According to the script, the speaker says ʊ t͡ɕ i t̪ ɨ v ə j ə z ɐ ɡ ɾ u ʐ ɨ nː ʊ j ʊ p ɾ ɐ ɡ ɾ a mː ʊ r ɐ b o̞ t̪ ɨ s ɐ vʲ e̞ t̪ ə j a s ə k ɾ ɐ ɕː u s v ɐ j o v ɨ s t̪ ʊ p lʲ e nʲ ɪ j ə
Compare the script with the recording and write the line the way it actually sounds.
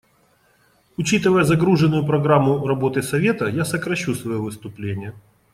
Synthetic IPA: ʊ t͡ɕ i t̪ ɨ v ə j ə z ɐ ɡ ɾ u ʐ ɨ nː ʊ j ʊ p ɾ ɐ ɡ ɾ a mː ʊ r ɐ b o̞ t̪ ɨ s ɐ vʲ e̞ t̪ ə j a s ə k ɾ ɐ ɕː u s v ɐ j o v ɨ s t̪ ʊ p lʲ e nʲ ɪ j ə